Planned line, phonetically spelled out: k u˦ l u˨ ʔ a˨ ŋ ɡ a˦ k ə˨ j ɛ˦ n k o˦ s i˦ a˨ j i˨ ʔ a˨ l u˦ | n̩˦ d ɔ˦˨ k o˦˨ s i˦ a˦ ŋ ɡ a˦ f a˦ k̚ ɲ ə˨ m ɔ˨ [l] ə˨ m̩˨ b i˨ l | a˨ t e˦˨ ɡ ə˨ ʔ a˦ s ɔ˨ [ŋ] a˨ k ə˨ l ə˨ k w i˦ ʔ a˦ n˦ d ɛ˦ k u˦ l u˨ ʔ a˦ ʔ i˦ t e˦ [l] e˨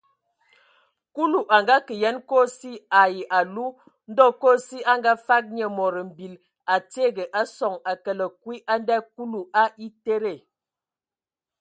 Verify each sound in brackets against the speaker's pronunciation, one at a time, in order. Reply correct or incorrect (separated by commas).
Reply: incorrect, correct, incorrect